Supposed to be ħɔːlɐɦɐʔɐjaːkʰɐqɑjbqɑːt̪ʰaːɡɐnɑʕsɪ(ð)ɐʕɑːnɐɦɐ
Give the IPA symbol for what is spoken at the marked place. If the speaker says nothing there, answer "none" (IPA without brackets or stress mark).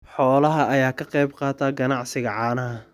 ɣ